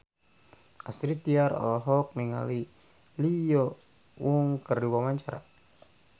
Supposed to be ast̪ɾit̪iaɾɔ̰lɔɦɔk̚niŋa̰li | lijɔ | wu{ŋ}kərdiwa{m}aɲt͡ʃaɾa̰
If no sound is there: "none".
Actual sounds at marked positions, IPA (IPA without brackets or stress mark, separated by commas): ŋ, m